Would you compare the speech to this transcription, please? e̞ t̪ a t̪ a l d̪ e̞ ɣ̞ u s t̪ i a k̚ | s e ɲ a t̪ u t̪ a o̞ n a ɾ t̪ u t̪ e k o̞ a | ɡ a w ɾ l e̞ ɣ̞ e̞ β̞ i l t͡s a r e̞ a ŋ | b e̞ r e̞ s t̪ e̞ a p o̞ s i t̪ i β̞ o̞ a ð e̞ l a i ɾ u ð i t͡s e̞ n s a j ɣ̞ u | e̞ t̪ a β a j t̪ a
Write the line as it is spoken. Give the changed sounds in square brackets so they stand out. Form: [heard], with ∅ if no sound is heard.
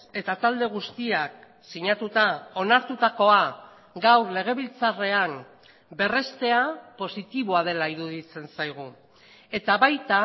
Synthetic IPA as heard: e̞ t̪ a t̪ a l d̪ e̞ ɣ̞ u s t̪ i a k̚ | s [i] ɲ a t̪ u t̪ a o̞ n a ɾ t̪ u t̪ [a] k o̞ a | ɡ a w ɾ l e̞ ɣ̞ e̞ β̞ i l t͡s a r e̞ a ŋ | b e̞ r e̞ s t̪ e̞ a p o̞ s i t̪ i β̞ o̞ a ð e̞ l a i ɾ u ð i t͡s e̞ n s a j ɣ̞ u | e̞ t̪ a β a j t̪ a